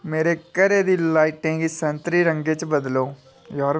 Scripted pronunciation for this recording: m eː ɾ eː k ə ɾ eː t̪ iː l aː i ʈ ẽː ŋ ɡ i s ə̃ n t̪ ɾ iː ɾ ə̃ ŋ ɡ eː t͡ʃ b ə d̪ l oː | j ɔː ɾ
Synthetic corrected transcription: m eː ɾ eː k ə ɾ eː d̪ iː l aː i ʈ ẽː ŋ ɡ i s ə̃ n t̪ ɾ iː ɾ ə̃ ŋ ɡ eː t͡ʃ b ə d̪ l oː | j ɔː ɾ